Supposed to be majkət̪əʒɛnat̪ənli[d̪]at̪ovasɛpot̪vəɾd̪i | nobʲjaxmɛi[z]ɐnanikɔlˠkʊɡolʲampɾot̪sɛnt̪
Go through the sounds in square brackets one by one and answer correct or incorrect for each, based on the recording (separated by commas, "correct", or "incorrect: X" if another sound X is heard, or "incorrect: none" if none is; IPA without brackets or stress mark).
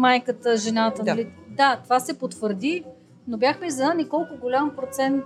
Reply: correct, correct